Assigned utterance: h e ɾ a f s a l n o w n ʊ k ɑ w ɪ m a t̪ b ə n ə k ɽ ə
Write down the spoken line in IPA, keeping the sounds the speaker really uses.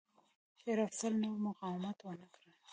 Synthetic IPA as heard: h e ɾ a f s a l n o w m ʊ q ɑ w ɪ m a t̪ w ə n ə k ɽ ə